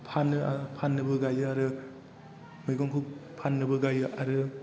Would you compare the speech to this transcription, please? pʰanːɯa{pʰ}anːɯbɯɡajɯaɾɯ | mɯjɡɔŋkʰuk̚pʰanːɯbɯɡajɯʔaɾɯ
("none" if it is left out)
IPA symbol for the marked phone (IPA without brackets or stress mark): pʰ